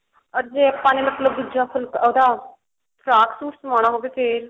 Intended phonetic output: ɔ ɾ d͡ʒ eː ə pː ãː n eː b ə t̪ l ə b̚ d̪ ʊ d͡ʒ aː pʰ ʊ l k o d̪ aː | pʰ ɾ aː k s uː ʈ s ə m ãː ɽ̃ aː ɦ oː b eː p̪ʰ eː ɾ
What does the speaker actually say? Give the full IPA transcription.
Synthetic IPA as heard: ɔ ɾ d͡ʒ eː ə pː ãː n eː m ə t̪ l ə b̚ d̪ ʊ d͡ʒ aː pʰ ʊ l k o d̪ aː | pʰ ɾ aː k s uː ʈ s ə m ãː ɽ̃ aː ɦ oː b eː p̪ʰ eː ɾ